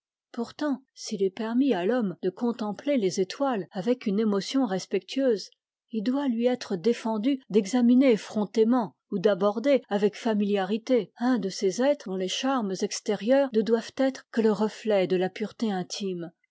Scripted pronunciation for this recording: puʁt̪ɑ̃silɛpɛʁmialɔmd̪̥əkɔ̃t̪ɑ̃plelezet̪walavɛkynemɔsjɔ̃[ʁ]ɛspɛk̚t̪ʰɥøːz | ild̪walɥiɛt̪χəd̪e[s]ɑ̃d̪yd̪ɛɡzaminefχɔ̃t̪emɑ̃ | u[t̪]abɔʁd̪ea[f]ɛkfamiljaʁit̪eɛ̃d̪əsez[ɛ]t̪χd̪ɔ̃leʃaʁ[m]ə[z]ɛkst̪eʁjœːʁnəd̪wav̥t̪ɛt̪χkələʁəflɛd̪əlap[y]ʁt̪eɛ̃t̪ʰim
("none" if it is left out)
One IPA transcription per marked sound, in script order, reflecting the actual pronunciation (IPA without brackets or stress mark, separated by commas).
ʁ, f, d̪, v, ɛ, m, z, y